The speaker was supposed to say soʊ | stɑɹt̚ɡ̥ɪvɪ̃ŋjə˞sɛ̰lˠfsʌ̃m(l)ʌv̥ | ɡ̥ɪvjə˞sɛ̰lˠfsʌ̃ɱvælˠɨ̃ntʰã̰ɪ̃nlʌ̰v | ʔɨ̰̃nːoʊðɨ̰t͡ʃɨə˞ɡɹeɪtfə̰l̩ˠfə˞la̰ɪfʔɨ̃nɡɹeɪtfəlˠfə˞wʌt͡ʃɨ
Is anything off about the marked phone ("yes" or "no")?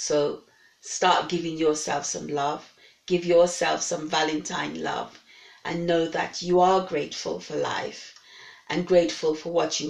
no